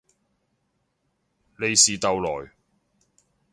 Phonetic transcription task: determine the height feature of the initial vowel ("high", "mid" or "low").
mid